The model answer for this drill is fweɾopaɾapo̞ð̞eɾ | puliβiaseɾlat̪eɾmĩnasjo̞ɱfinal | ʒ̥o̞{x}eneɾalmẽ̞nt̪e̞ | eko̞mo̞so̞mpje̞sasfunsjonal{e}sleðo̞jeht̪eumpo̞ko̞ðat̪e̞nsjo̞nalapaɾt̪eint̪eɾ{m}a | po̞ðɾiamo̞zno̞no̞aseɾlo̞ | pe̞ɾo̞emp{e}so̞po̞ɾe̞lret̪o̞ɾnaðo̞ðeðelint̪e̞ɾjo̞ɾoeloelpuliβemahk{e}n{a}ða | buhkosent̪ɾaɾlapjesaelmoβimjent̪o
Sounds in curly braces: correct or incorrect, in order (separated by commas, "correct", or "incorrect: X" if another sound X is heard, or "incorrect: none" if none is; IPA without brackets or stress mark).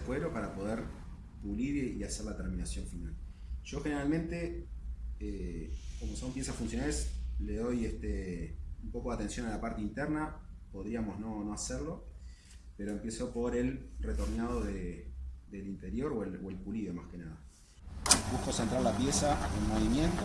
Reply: correct, correct, incorrect: n, correct, correct, correct